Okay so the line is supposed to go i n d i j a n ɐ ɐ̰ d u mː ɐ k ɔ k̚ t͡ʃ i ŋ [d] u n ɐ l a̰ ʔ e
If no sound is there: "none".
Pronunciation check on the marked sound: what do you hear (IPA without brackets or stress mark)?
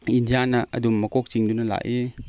d